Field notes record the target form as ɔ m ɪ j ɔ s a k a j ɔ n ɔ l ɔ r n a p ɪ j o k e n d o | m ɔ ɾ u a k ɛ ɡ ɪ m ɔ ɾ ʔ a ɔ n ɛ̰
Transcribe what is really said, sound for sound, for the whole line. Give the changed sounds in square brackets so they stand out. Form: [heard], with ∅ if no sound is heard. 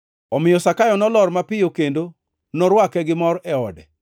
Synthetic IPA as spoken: ɔ m ɪ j ɔ s a k a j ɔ n ɔ l ɔ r [m] a p ɪ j o k e n d o | [n] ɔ ɾ [w] a k ɛ ɡ ɪ m ɔ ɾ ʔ [ɛ] ɔ [d] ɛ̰